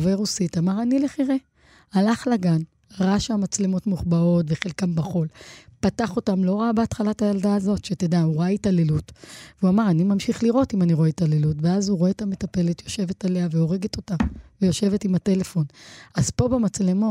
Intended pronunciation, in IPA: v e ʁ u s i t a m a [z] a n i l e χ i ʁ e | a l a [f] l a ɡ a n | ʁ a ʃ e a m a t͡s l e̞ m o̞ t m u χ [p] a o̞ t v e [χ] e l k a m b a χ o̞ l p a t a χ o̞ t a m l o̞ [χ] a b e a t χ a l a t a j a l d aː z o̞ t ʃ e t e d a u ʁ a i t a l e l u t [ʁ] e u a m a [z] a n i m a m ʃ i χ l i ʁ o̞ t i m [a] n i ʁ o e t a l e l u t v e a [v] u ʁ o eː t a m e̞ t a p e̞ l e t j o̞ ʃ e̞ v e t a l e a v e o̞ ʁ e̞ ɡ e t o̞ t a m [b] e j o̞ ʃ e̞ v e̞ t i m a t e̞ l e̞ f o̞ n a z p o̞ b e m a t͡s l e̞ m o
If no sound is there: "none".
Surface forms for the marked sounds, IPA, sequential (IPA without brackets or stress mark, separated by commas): ʁ, χ, b, χ, ʁ, v, ʁ, a, z, v